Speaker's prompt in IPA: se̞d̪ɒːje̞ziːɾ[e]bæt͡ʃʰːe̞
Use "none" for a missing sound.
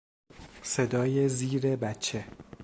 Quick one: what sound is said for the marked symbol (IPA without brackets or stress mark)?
e